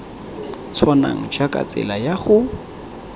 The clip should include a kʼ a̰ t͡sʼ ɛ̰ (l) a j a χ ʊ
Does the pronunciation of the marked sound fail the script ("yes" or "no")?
no